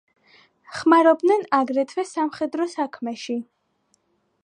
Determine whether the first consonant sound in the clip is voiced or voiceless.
voiceless